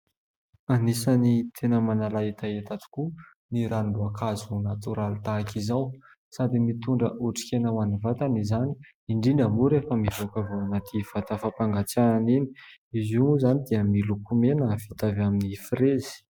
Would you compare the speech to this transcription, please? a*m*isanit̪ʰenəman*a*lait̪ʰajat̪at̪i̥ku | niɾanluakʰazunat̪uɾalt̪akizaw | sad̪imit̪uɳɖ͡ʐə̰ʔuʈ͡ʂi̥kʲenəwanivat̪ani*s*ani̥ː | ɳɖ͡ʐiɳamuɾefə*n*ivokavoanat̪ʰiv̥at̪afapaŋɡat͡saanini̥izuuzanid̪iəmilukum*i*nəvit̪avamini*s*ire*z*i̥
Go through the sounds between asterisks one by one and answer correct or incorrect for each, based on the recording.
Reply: incorrect: n, correct, incorrect: z, incorrect: m, incorrect: e, incorrect: f, correct

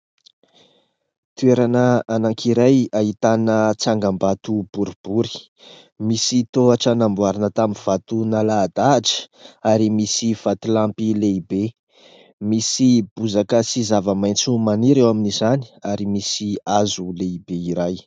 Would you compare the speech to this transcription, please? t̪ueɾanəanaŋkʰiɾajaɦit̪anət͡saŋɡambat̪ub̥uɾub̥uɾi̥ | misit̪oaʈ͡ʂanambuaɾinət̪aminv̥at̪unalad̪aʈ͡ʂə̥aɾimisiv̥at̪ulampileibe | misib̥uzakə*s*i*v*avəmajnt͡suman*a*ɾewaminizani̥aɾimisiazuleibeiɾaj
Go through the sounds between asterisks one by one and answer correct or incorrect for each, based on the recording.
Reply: correct, incorrect: z, incorrect: i

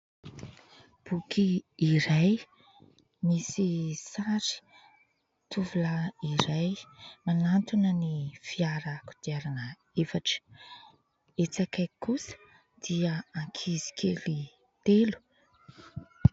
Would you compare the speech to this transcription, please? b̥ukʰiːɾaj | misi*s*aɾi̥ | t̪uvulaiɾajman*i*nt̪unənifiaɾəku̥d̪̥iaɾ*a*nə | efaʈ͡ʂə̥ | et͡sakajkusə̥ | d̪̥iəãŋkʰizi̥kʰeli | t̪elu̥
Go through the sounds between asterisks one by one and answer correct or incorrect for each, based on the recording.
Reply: correct, incorrect: a, correct

